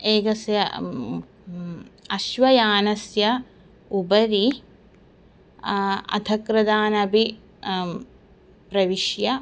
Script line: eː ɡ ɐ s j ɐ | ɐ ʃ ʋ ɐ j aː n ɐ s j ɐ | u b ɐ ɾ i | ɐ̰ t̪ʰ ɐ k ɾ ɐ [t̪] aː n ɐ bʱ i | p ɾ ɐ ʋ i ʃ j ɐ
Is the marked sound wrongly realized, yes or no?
yes